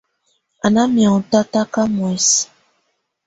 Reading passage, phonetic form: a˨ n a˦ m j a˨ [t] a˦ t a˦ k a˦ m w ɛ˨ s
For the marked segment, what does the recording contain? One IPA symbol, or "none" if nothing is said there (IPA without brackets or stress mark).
t